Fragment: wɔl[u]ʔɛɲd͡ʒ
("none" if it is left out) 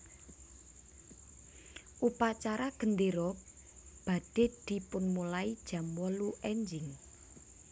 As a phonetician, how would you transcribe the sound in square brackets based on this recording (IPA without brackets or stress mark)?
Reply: u